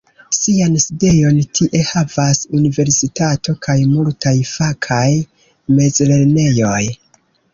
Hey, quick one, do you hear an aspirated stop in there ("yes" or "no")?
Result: yes